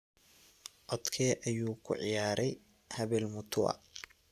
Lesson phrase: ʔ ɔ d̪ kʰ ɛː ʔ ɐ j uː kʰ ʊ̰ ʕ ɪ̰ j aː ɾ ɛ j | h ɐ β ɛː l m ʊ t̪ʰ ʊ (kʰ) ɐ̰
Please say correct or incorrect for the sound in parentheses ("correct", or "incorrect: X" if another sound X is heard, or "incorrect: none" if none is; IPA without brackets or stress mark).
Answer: incorrect: none